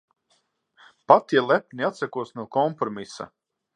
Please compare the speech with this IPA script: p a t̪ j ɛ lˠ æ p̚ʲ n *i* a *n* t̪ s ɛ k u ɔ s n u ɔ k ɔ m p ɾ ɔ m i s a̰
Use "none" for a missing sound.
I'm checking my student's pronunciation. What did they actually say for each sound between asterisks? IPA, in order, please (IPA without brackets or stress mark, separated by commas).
i, none